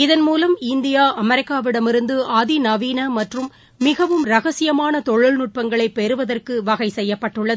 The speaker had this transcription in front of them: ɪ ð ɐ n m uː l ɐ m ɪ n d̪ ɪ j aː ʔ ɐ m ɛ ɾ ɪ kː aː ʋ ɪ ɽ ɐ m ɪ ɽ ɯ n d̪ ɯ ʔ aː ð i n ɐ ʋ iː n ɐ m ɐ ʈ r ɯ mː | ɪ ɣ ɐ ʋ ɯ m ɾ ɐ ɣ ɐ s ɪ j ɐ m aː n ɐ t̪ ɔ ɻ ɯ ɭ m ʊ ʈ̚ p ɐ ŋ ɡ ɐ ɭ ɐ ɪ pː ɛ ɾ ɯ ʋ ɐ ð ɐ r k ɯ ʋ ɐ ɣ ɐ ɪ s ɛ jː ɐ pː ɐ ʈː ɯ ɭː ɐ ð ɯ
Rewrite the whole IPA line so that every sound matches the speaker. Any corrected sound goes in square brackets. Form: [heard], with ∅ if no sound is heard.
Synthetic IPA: ɪ ð ɐ n m uː l ɐ m ɪ n d̪ ɪ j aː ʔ ɐ m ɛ ɾ ɪ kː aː ʋ ɪ ɽ ɐ m ɪ [ɾ] ɯ n d̪ ɯ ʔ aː ð i n ɐ ʋ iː n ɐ m ɐ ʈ r ɯ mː | ɪ ɣ ɐ ʋ ɯ m ɾ ɐ ɣ ɐ s ɪ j ɐ m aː n ɐ t̪ ɔ ɻ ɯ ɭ [n] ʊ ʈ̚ p ɐ ŋ ɡ ɐ ɭ ɐ ɪ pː ɛ ɾ ɯ ʋ ɐ ð ɐ r k ɯ ʋ ɐ ɣ ɐ ɪ s ɛ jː ɐ pː ɐ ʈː ɯ ɭː ɐ ð ɯ